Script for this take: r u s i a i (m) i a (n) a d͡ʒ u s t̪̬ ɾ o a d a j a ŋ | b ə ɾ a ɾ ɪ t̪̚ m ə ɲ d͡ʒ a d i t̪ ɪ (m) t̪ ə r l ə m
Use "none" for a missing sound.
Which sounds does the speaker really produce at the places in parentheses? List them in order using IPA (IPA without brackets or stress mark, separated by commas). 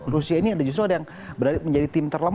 n, d, m